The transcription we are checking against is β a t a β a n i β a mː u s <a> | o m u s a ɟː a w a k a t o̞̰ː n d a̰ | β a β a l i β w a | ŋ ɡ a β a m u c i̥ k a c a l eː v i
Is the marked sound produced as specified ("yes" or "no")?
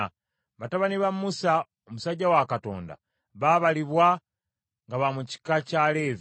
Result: yes